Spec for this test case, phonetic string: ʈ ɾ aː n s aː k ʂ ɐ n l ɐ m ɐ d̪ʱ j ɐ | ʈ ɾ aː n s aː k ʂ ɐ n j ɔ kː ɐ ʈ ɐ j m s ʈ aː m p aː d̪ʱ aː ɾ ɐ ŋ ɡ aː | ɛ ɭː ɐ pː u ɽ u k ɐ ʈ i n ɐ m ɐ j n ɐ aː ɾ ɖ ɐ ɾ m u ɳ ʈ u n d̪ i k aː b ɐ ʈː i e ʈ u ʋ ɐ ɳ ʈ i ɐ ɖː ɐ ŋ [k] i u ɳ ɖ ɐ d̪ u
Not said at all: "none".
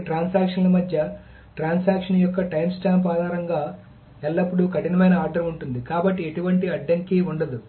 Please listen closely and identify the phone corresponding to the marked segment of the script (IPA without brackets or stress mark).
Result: k